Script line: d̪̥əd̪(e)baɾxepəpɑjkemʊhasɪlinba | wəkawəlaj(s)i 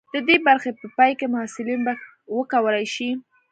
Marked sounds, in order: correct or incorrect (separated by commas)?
correct, incorrect